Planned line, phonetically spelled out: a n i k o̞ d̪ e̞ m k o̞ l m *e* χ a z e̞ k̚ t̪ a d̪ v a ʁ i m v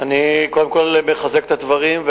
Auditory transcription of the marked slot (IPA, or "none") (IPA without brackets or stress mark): e